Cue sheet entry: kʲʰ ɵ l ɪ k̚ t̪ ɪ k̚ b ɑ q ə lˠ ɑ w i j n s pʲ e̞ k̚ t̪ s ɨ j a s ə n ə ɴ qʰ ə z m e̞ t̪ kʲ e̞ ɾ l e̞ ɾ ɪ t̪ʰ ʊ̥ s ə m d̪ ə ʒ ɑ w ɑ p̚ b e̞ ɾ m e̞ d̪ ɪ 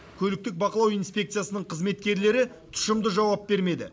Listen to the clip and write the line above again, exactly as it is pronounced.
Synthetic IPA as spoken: kʲʰ ɵ l ɪ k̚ t̪ ɪ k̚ b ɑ q ə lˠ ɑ w i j n s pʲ e̞ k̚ t̪ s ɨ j a s ə n ə ɴ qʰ ə z m e̞ t̪ kʲ e̞ ɾ l e̞ ɾ ɪ t̪ʰ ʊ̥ ʃ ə m d̪ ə ʒ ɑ w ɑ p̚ b e̞ ɾ m e̞ d̪ ɪ